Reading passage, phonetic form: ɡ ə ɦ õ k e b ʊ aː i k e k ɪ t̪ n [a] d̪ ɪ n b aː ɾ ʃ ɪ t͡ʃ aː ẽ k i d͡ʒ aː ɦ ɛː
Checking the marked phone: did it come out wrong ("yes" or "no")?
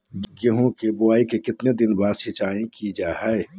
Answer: yes